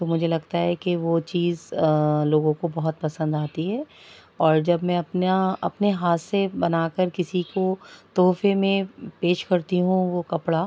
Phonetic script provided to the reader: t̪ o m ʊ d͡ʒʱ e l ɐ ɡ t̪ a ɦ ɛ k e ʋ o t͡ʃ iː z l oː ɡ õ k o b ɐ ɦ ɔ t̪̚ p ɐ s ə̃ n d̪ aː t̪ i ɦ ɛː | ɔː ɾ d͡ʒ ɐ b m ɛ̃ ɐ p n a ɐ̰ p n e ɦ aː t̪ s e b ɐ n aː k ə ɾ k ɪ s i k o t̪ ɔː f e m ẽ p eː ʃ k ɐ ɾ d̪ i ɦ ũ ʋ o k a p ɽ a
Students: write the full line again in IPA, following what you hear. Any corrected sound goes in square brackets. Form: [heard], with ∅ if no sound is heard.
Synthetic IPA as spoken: t̪ o m ʊ d͡ʒʱ e l ɐ ɡ t̪ a ɦ ɛ k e ʋ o t͡ʃ iː z l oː ɡ õ k o b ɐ ɦ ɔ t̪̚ p ɐ s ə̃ n d̪ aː t̪ i ɦ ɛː | ɔː ɾ d͡ʒ ɐ b m ɛ̃ ɐ p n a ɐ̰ p n e ɦ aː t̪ s e b ɐ n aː k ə ɾ k ɪ s i k o t̪ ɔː f e m ẽ p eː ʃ k ɐ ɾ [t̪] i ɦ ũ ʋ o k [ɐ] p ɽ a